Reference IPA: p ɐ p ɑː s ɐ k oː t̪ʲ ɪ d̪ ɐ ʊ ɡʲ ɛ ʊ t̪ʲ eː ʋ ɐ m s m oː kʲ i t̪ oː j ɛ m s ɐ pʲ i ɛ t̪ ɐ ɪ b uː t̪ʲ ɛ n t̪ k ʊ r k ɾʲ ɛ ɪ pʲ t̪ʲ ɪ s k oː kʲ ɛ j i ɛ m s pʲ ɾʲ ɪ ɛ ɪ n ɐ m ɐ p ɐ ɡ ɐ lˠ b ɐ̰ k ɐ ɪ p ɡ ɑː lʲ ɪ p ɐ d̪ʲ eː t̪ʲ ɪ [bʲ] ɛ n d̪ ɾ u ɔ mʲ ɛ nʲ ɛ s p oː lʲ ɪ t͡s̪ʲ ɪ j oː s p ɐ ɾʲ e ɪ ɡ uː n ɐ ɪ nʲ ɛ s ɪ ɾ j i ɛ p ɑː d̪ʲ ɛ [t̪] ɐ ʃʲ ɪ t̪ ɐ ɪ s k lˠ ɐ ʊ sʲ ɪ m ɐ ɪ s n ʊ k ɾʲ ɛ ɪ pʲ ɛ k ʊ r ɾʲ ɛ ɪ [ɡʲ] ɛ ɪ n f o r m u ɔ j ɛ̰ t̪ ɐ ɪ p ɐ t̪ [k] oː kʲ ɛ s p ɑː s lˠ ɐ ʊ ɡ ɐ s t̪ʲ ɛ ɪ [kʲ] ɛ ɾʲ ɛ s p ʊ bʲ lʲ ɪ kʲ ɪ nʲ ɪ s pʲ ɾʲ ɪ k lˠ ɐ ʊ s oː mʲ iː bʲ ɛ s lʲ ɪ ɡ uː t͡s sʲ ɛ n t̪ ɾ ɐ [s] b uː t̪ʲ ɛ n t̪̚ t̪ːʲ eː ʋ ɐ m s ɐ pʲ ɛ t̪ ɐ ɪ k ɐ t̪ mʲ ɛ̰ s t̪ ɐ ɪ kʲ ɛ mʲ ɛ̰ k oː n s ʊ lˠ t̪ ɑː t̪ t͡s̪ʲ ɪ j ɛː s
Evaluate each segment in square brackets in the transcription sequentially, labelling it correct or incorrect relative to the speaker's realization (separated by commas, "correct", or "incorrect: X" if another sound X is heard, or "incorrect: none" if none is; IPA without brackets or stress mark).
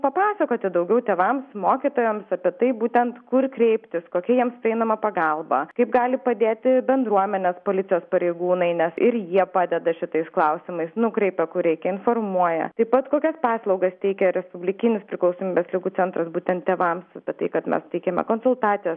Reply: correct, incorrect: d̪, incorrect: kʲ, correct, correct, correct